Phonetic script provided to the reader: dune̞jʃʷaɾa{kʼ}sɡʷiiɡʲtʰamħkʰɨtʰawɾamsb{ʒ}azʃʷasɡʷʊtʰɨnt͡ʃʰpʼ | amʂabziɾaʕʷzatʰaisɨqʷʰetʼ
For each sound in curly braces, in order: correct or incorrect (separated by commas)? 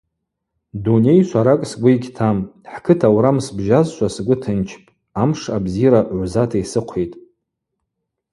correct, correct